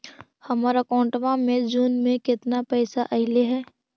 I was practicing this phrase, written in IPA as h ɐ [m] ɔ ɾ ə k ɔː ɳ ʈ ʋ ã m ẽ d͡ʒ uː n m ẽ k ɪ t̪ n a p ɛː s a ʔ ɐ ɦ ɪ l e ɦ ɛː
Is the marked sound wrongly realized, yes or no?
no